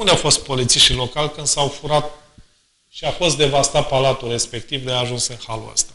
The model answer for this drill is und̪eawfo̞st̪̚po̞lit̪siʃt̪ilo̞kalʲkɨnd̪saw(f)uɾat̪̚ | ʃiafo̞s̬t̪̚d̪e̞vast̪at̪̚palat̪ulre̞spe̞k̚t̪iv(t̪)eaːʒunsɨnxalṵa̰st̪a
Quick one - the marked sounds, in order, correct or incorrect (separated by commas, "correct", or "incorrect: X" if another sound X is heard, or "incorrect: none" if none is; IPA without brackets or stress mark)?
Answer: correct, incorrect: d̪